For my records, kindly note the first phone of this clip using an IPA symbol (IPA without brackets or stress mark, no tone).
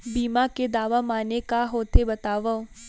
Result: b